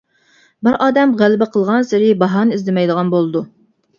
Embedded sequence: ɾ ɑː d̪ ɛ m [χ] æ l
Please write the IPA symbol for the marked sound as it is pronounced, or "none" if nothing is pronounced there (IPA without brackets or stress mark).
ʁ